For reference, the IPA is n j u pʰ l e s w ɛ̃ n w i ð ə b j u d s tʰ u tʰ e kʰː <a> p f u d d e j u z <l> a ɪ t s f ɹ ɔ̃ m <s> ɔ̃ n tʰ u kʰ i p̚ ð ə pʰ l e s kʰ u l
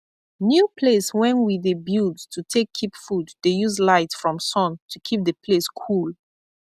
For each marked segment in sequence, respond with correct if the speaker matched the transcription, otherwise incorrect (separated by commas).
incorrect, correct, correct